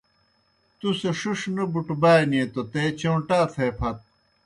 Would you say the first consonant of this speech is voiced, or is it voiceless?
voiceless